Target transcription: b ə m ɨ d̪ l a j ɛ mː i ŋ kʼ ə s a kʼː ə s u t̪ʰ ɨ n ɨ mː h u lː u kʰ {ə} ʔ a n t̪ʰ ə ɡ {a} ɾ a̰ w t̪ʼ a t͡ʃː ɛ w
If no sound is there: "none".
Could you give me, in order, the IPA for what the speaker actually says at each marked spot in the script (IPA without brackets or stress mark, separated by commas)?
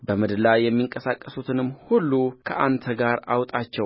ə, a